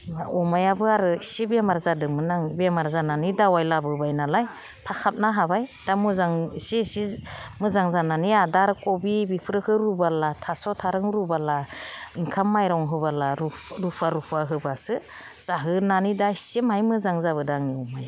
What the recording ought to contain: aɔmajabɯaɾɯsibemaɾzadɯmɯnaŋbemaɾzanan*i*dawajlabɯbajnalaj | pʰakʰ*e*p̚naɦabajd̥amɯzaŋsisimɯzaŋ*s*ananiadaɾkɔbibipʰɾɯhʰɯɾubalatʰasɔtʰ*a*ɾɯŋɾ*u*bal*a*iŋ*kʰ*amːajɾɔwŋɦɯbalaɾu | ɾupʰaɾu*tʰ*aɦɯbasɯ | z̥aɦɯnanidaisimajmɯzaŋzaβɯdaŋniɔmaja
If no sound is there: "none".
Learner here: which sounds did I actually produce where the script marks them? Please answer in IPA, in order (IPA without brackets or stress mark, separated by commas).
i, a, z, a, u, a, kʰ, pʰ